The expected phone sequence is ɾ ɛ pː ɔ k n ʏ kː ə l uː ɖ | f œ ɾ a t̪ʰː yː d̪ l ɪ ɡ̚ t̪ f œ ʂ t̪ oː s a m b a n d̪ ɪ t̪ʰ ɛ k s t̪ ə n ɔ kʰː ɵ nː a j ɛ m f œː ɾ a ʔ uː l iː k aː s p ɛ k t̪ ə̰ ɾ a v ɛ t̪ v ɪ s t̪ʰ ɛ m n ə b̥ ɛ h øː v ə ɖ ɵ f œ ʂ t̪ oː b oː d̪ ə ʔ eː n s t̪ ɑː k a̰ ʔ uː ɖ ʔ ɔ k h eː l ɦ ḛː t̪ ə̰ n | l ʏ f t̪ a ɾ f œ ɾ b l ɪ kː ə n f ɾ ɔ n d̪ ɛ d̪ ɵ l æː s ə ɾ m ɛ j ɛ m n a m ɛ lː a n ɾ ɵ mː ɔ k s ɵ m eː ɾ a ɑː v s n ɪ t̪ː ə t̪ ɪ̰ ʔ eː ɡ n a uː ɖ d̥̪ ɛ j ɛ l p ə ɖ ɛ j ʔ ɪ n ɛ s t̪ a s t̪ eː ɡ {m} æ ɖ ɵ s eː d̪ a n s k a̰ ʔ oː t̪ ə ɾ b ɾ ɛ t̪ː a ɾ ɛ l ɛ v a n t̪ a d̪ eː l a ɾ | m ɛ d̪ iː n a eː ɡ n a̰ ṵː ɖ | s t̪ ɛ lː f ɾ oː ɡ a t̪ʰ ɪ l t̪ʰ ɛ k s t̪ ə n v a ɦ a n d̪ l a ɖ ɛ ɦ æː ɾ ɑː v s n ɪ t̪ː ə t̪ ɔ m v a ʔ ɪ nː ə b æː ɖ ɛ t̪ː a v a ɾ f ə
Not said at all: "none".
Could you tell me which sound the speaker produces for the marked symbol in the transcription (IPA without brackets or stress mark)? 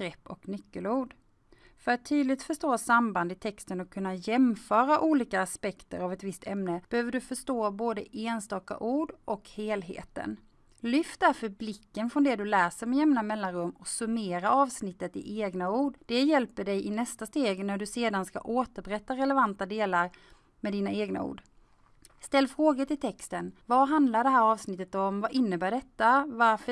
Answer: n